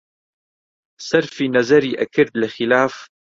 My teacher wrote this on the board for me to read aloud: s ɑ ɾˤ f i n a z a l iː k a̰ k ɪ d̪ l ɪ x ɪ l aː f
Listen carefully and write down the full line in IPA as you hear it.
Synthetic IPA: s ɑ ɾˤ f i n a z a ɾ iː ʔ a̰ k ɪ d̪ l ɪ x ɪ l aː f